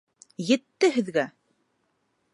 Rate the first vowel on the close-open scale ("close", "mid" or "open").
mid